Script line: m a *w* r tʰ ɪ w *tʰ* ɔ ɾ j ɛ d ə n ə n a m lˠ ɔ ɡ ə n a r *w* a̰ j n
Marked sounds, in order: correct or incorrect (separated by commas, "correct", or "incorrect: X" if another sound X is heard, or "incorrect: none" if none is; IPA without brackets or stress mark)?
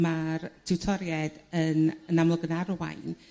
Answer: incorrect: none, correct, correct